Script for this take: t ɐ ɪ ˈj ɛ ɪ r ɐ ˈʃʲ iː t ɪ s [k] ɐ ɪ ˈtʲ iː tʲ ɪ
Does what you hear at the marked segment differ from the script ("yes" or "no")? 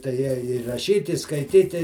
no